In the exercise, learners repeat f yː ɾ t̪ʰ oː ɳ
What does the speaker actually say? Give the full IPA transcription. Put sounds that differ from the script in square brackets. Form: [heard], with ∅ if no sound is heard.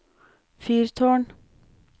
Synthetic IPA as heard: f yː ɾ t̪ʰ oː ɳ